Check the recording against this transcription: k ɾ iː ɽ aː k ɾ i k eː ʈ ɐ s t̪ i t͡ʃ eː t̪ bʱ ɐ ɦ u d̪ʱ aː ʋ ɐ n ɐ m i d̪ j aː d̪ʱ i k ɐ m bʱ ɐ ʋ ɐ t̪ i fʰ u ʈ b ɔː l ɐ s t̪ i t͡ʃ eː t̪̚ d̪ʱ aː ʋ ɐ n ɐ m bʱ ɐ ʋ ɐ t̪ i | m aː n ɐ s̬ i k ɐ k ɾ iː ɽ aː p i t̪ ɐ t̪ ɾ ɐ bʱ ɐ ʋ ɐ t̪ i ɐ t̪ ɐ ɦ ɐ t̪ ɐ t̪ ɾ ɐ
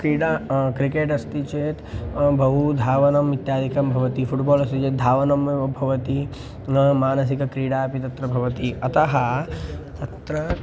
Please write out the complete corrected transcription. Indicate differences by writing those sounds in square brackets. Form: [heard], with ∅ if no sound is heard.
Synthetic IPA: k ɾ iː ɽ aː k ɾ i k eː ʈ ɐ s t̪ i t͡ʃ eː t̪ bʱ ɐ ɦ u d̪ʱ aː ʋ ɐ n ɐ m i [t̪] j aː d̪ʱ i k ɐ m bʱ ɐ ʋ ɐ t̪ i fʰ u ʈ b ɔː l ɐ s t̪ i t͡ʃ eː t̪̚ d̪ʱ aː ʋ ɐ n ɐ m bʱ ɐ ʋ ɐ t̪ i | m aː n ɐ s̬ i k ɐ k ɾ iː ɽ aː p i t̪ ɐ t̪ ɾ ɐ bʱ ɐ ʋ ɐ t̪ i ɐ t̪ ɐ ɦ ɐ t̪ ɐ t̪ ɾ ɐ